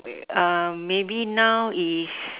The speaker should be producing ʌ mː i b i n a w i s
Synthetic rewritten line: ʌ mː e b i n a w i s